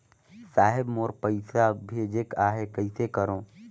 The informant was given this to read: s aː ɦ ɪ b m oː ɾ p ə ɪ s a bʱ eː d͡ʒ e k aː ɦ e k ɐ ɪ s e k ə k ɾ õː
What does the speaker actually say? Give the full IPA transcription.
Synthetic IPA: s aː ɦ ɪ b m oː ɾ p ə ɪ s a bʱ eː d͡ʒ e k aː ɦ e k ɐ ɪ s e k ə ɾ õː